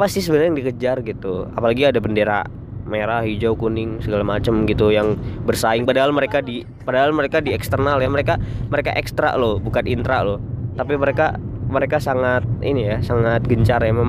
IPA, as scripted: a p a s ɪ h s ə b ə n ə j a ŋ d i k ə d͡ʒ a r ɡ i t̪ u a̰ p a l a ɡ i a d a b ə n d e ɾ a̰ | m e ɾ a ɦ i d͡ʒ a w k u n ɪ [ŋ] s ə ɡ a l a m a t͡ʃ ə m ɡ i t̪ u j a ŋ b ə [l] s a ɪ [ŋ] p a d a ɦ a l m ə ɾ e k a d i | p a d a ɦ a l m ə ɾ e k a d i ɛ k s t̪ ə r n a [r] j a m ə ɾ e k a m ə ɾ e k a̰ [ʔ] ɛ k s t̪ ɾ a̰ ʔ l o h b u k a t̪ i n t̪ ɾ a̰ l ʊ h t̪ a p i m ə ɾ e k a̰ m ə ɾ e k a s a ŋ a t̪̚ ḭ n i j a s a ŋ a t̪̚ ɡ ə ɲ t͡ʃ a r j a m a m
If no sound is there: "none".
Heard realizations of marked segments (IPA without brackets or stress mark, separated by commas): ŋ, r, ŋ, l, ʔ